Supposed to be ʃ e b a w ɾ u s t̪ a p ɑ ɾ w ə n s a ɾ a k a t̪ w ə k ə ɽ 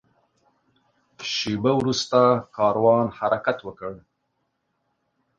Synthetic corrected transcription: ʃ e b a w ɾ u s t̪ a k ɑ ɾ w ɑ n h a ɾ a k a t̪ w ə k ə ɽ

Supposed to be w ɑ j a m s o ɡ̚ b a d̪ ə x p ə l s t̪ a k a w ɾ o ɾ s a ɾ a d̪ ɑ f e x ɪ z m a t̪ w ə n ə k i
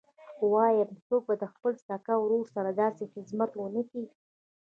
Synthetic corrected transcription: w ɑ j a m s o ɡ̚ b a d̪ ə x p ə l s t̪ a k a w ɾ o ɾ s a ɾ a d̪ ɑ s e x ɪ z m a t̪ w ə n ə k i

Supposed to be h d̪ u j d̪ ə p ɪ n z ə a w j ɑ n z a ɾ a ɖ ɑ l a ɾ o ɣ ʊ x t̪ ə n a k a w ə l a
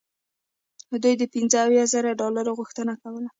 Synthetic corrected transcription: h d̪ u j d̪ ə p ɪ n z ə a w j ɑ z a ɾ a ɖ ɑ l a ɾ o ɣ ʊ x t̪ ə n a k a w ə l a

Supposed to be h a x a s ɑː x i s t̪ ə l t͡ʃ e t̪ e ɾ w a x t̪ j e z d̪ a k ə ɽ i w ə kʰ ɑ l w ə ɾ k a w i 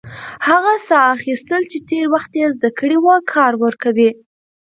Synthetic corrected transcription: h a ɣ a s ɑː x i s t̪ ə l t͡ʃ e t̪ e ɾ w a x t̪ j e z d̪ a k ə ɽ i w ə kʰ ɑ ɾ w ə ɾ k a w i

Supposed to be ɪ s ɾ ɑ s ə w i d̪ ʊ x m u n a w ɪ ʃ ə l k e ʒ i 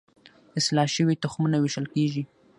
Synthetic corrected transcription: ɪ s l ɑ ʃ ə w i t̪ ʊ x m u n a w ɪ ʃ ə l k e ʒ i

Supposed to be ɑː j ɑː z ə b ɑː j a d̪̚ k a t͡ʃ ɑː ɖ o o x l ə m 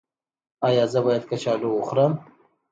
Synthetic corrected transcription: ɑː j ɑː z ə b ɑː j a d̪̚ k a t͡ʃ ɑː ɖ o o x ɾ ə m

